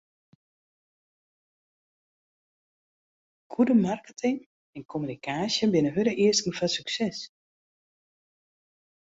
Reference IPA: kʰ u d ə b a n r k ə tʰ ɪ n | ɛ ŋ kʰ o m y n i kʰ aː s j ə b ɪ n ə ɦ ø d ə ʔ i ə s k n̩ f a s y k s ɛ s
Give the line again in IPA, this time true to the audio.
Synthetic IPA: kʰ u d ə m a r k ə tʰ ɪ ŋ | ɛ n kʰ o m y n i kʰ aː s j ə b ɪ n ə ɦ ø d ə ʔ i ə s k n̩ f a s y k s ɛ s